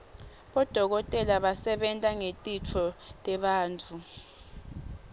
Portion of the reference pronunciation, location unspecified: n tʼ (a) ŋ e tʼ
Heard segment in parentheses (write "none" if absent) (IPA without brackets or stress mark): a